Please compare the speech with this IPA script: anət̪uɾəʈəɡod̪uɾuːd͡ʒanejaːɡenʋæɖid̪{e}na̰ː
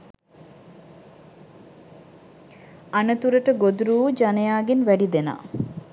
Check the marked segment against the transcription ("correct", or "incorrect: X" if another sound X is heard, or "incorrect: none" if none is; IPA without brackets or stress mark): correct